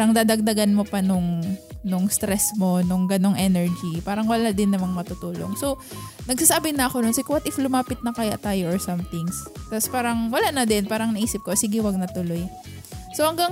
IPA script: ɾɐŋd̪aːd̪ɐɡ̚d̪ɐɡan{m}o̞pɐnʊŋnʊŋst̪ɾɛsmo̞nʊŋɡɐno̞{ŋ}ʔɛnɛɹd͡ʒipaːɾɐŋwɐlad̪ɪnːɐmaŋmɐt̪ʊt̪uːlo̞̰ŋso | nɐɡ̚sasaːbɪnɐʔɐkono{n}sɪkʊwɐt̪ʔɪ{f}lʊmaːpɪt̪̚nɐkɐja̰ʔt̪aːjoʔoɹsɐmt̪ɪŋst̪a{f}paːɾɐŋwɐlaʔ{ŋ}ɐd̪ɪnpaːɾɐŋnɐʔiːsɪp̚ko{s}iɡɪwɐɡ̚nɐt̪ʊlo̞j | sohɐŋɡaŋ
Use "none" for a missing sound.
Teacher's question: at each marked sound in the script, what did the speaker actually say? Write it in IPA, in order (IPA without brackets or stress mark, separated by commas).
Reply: m, ŋ, n, f, s, n, s